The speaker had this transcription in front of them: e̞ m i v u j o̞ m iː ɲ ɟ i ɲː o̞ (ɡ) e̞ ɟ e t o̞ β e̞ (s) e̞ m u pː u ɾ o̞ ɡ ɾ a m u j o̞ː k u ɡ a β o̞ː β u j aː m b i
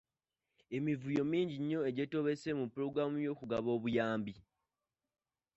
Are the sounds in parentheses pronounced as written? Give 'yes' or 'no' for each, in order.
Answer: no, yes

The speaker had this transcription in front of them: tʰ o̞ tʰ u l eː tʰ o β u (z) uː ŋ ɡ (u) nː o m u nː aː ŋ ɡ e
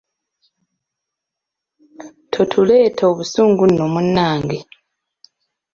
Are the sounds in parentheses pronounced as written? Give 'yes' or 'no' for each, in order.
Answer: no, yes

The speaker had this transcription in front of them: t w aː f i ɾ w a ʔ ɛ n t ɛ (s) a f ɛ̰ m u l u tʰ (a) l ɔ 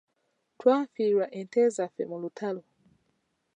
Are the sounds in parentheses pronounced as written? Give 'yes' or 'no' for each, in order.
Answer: no, yes

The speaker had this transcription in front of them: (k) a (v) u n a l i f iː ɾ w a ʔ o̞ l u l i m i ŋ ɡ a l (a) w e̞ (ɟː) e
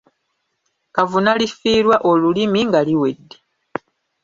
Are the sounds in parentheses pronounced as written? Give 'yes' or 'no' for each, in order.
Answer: yes, yes, no, no

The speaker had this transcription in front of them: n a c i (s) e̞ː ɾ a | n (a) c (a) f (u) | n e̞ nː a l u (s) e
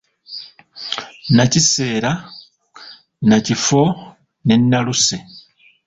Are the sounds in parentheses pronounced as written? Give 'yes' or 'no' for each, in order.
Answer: yes, yes, no, no, yes

